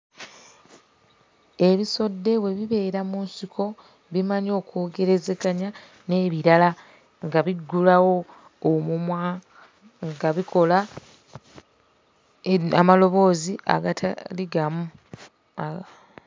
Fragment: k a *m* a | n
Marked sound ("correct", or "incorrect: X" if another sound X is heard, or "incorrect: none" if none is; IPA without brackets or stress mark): incorrect: ɲ